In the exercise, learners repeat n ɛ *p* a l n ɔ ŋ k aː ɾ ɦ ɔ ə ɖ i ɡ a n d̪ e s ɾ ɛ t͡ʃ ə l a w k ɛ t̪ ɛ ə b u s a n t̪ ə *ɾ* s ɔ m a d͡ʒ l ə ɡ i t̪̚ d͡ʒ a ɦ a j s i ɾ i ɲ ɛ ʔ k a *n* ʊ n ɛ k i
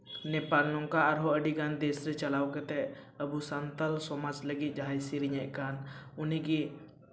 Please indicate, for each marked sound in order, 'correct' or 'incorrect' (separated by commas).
correct, incorrect, correct